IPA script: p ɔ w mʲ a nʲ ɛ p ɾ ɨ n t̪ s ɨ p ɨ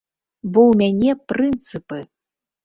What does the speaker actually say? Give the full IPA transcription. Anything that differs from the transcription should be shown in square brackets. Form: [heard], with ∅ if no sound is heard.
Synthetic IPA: [b] ɔ w mʲ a nʲ ɛ p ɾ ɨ n t̪ s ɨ p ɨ